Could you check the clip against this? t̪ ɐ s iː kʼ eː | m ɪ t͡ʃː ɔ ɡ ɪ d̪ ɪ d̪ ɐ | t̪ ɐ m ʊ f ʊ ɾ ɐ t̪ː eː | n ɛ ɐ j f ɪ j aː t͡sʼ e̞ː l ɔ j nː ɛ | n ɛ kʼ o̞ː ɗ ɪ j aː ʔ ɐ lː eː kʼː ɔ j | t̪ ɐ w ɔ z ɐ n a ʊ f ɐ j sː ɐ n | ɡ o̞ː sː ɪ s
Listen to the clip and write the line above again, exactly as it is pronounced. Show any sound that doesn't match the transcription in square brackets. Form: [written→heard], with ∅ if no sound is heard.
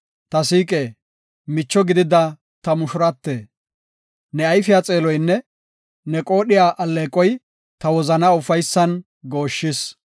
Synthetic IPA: t̪ ɐ s iː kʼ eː | m ɪ t͡ʃː ɔ ɡ ɪ d̪ ɪ d̪ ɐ | t̪ ɐ m ʊ [f→ʃ] ʊ ɾ ɐ t̪ː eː | n ɛ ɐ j f ɪ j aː t͡sʼ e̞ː l ɔ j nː ɛ | n ɛ kʼ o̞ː ɗ ɪ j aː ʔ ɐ lː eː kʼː ɔ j | t̪ ɐ w ɔ z ɐ n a ʊ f ɐ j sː ɐ n | ɡ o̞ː [sː→ʃː] ɪ s